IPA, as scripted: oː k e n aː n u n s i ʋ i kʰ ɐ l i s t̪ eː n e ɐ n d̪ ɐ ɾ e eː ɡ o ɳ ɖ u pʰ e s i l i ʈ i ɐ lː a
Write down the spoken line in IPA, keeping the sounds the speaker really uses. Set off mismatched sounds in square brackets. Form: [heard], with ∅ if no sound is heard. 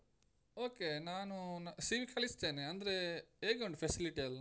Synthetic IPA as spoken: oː k e n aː n u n s i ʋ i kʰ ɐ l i s t̪ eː n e ɐ n d̪ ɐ ɾ e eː ɡ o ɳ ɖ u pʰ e s i l i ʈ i ɐ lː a